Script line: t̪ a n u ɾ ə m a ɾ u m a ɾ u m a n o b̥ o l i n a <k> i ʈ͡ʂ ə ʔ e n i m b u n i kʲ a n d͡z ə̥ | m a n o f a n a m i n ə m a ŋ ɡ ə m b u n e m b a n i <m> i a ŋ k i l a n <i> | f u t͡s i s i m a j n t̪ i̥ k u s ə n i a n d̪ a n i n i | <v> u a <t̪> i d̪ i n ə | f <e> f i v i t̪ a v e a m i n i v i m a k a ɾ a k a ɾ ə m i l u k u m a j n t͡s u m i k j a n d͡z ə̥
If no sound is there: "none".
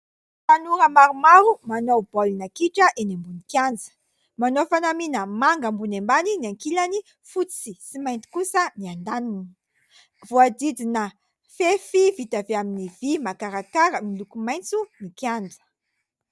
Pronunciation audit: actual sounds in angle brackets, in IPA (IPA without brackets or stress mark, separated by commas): k, n, i, v, d̪, e